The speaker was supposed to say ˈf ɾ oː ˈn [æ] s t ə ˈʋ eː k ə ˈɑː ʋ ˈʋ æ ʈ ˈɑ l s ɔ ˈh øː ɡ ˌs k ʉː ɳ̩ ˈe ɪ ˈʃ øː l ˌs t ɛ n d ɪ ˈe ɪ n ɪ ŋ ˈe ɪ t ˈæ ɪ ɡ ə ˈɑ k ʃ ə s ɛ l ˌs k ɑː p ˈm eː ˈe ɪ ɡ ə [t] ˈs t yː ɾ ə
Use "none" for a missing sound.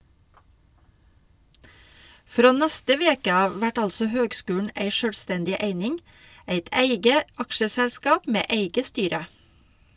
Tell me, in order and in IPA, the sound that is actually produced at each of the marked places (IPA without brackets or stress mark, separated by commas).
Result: æ, none